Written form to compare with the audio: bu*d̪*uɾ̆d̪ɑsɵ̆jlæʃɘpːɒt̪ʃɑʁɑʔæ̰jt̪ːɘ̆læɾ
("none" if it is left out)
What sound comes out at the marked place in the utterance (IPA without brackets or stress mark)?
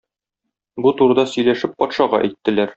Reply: t̪